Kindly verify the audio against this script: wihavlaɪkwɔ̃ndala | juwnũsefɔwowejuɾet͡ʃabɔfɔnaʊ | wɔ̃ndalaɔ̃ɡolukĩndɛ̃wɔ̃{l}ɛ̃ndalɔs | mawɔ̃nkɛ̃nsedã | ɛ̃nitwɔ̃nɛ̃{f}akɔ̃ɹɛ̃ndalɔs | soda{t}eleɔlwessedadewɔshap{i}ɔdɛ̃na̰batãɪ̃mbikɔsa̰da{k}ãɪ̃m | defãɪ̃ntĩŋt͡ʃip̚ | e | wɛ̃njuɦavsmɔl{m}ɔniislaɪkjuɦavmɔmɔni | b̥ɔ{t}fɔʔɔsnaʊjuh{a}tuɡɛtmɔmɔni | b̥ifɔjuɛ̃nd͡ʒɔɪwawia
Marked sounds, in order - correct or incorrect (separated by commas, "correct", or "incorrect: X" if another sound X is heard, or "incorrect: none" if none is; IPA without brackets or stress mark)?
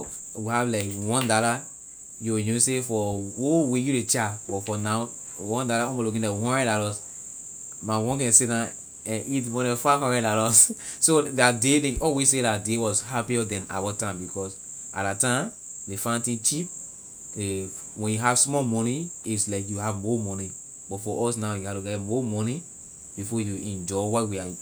incorrect: ɹ, correct, incorrect: d, correct, incorrect: t, correct, correct, correct